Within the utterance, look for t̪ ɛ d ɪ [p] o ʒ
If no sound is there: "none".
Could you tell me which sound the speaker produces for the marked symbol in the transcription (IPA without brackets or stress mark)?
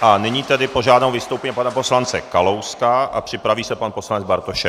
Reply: p